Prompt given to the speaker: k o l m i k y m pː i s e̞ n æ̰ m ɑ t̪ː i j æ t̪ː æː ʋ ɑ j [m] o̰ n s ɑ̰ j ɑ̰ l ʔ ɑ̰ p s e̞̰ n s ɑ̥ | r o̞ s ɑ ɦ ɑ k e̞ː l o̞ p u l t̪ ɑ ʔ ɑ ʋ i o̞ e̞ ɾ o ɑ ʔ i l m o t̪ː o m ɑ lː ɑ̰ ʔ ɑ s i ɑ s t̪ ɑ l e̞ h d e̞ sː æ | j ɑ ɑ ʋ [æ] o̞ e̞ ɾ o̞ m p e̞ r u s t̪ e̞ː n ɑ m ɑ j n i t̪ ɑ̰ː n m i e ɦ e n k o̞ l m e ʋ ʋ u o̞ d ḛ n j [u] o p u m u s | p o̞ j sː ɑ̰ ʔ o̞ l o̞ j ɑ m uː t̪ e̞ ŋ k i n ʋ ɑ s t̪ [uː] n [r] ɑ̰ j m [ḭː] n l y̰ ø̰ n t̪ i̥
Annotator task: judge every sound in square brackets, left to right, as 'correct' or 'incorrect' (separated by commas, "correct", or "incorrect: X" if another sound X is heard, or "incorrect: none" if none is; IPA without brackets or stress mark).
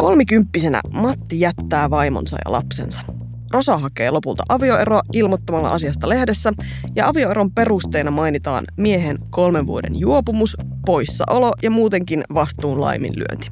correct, incorrect: i, correct, correct, incorrect: l, incorrect: ḭ